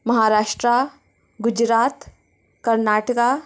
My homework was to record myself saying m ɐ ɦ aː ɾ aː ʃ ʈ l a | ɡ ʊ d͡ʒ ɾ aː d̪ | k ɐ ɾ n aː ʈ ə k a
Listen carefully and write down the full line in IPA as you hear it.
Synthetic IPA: m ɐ ɦ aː ɾ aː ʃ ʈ ɾ a | ɡ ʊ d͡ʒ ɾ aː t̪ | k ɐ ɾ n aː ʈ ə k a